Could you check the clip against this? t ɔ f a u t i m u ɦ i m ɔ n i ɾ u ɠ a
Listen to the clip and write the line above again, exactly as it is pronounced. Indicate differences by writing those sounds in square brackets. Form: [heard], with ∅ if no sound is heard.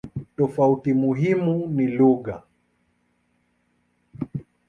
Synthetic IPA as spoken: t ɔ f a u t i m u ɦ i m [u] n i [l] u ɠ a